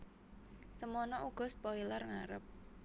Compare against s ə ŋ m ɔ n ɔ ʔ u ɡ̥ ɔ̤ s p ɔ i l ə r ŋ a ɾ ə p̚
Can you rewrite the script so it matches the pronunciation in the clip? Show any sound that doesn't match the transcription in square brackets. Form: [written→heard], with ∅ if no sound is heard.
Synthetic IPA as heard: s ə [ŋ→∅] m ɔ n ɔ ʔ u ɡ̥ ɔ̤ s p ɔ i l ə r ŋ a ɾ ə p̚

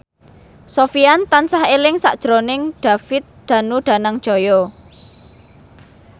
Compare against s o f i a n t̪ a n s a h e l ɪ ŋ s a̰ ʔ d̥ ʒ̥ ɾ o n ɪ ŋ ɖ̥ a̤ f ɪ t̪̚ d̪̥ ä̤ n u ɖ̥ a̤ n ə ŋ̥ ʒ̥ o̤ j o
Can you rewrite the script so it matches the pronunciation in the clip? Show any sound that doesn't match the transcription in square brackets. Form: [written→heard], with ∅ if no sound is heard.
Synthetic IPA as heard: s o f i a n t̪ a n s a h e l ɪ ŋ s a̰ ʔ d̥ ʒ̥ ɾ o n ɪ ŋ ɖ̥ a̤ f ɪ t̪̚ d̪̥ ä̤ n u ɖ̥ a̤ n [ə→a] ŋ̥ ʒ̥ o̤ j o

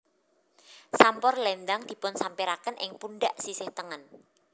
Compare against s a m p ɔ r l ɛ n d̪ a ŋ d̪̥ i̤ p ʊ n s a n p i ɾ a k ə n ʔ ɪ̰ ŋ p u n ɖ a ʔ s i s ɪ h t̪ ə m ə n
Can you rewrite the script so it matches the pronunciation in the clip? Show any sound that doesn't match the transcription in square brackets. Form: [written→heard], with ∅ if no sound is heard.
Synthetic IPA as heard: s a m p ɔ r l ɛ n d̪ a ŋ d̪̥ i̤ p ʊ n s a [n→m] p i ɾ a k ə n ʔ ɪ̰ ŋ p u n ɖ a ʔ s i s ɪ h t̪ ə [m→ŋ] ə n

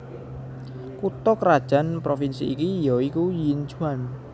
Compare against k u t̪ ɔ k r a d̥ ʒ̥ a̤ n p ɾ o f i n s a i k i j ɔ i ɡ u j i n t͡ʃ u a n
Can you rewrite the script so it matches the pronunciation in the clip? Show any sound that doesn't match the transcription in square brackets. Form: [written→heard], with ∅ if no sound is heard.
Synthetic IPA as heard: k u t̪ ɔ k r a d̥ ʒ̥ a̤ n p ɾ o f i n s [a→i] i k i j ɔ i [ɡ→k] u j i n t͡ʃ u a n

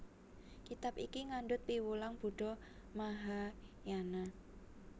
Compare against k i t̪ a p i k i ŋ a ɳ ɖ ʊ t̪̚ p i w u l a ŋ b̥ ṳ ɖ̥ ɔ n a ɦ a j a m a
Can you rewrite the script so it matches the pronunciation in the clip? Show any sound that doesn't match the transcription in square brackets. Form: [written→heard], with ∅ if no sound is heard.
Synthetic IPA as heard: k i t̪ a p i k i ŋ a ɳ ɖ ʊ t̪̚ p i w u l a ŋ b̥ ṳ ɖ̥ ɔ [n→m] a ɦ a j a [m→n] a

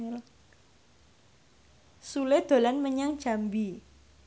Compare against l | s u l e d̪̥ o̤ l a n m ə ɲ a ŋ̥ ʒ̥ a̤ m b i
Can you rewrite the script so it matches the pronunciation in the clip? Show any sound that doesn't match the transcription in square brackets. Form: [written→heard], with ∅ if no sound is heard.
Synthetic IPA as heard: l | s u l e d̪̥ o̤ l a n m ə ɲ a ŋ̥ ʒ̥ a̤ m b i

